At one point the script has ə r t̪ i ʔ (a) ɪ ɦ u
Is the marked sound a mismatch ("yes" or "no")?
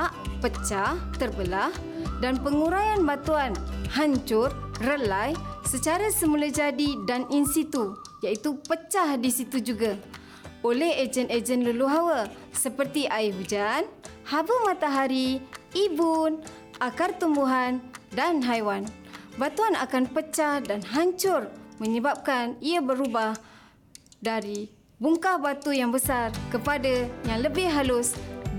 no